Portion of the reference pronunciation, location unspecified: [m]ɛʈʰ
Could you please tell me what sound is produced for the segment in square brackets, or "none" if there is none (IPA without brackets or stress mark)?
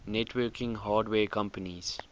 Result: n